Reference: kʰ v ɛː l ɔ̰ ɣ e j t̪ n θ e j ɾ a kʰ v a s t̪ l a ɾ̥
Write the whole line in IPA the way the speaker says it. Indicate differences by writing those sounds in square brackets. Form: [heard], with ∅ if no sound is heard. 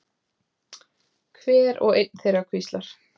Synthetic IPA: kʰ v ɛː [ɾ] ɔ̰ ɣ e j t̪ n θ e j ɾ a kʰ v [i] s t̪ l a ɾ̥